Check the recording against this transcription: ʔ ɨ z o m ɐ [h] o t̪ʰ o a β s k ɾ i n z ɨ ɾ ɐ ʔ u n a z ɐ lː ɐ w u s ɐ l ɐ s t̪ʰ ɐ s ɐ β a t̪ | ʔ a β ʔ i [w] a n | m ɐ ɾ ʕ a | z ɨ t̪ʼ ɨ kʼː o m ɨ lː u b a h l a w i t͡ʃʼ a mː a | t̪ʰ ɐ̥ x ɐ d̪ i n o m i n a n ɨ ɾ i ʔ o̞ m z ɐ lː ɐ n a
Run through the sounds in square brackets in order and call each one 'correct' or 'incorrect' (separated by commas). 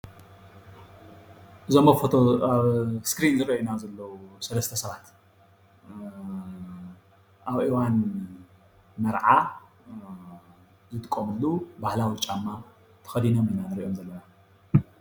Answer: incorrect, correct